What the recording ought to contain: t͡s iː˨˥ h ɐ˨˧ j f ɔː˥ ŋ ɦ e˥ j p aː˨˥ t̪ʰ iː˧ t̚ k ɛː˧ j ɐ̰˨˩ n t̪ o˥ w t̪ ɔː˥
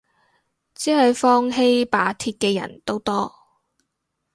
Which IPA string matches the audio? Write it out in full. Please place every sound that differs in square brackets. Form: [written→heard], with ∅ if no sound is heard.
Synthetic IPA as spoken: t͡s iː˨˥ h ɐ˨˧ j f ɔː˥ ŋ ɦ e˥ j p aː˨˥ t̪ʰ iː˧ t̚ k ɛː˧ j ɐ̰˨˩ n t̪ o˥ w t̪ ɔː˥